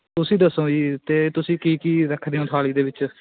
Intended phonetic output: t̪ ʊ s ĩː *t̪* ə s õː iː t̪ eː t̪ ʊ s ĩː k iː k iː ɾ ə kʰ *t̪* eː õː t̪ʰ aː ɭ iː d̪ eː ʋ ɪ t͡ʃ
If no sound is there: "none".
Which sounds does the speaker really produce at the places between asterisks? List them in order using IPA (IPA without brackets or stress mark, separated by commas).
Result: d̪, d̪